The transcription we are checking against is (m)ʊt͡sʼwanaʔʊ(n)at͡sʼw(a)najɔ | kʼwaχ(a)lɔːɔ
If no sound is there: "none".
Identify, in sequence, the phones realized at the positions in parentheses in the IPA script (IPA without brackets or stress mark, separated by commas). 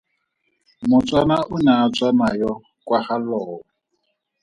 m, n, a, a